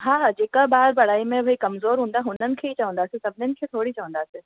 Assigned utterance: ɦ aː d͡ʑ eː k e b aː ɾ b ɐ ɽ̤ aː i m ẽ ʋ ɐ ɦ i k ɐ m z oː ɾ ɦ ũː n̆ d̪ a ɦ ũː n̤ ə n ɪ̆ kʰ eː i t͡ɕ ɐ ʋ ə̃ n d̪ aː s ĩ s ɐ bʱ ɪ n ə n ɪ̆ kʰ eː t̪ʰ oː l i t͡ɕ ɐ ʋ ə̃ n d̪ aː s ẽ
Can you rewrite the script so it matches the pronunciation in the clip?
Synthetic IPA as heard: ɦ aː d͡ʑ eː k a b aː ɾ b ɐ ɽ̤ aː i m ẽ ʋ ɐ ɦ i k ɐ m z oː ɾ ɦ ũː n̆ d̪ a ɦ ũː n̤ ə n ɪ̆ kʰ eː i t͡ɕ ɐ ʋ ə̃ n d̪ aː s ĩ s ɐ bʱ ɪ n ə n ɪ̆ kʰ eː t̪ʰ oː ɽ i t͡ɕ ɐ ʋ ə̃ n d̪ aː s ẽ